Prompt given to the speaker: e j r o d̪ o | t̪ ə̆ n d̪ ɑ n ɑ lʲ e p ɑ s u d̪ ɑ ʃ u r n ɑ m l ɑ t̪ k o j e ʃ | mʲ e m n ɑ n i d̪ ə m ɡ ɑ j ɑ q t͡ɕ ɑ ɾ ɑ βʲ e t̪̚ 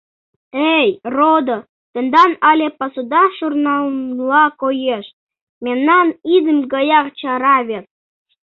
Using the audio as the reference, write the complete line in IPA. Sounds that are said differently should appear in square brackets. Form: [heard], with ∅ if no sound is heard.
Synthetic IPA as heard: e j r o d̪ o | t̪ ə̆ n d̪ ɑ n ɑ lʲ e p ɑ s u d̪ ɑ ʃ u r n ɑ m l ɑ [∅] k o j e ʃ | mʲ e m n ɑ n i d̪ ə m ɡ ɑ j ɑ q t͡ɕ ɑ ɾ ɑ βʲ e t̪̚